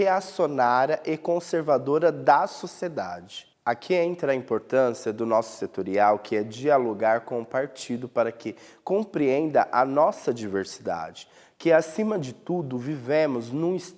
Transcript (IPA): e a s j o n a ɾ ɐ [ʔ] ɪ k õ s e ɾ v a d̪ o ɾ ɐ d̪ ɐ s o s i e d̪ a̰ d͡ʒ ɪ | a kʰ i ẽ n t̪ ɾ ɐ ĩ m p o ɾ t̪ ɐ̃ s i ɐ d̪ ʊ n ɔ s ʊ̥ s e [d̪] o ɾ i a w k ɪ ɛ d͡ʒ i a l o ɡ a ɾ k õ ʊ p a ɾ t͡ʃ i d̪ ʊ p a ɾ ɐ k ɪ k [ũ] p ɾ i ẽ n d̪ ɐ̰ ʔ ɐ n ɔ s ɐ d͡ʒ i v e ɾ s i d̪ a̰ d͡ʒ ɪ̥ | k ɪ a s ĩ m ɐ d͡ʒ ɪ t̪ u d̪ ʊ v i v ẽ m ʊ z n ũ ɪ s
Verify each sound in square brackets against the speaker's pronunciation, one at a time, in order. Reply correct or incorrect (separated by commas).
correct, incorrect, incorrect